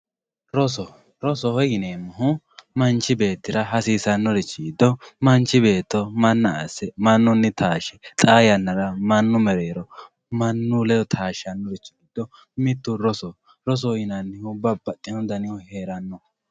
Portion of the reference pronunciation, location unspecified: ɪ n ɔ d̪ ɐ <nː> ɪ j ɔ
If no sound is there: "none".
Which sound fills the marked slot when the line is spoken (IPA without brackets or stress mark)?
n